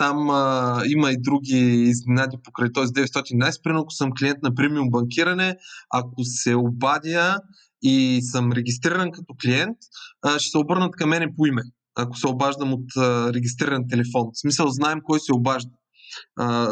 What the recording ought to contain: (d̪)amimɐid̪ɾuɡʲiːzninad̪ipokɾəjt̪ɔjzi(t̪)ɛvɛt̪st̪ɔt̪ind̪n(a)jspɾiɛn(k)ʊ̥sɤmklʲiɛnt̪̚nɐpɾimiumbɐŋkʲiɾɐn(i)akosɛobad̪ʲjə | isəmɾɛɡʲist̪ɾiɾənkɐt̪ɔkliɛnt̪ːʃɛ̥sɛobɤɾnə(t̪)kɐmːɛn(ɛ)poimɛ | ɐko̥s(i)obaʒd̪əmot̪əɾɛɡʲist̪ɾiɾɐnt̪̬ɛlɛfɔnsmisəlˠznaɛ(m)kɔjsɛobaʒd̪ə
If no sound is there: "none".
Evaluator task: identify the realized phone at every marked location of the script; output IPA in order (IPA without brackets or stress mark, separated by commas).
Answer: t̪, d̪, a, k, ɛ, t̪, ɛ, ɛ, m